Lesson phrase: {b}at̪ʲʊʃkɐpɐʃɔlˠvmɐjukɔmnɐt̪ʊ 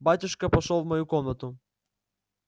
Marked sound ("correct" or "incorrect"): correct